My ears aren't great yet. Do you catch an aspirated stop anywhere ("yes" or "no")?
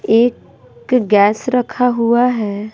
yes